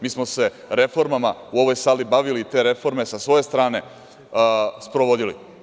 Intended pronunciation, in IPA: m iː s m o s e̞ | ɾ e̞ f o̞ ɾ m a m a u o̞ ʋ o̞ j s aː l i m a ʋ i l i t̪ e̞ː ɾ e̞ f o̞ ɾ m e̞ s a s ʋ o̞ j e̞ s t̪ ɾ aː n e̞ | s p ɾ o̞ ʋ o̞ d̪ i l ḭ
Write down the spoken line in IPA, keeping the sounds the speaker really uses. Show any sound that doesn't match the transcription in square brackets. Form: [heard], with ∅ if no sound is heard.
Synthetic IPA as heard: m iː s m o s e̞ | ɾ e̞ f o̞ ɾ m a m a u o̞ ʋ o̞ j s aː l i [b] a ʋ i l i t̪ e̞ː ɾ e̞ f o̞ ɾ m e̞ s a s ʋ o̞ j e̞ s t̪ ɾ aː n e̞ | s p ɾ o̞ ʋ o̞ d̪ i l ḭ